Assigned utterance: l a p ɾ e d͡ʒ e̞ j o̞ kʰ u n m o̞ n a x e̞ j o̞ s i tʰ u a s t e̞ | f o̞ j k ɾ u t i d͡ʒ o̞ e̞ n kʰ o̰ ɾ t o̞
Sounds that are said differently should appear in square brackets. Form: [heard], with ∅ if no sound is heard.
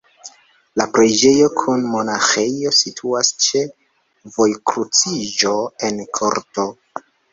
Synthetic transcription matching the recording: l a p ɾ e d͡ʒ e̞ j o̞ kʰ u n m o̞ n a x e̞ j o̞ s i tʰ u a s [t͡ʃ] e̞ | [v] o̞ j k ɾ u [t͡s] i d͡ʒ o̞ e̞ n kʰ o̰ ɾ t o̞